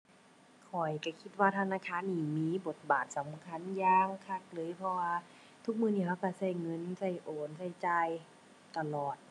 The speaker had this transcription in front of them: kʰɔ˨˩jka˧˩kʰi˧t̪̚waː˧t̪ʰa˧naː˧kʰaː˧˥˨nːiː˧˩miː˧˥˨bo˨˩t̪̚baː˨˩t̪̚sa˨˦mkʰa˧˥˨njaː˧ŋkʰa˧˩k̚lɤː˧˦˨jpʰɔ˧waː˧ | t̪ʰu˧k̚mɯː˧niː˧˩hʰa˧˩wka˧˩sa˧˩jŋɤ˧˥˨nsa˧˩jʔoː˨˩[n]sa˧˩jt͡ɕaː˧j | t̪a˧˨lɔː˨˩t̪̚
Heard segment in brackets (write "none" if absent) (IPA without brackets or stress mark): n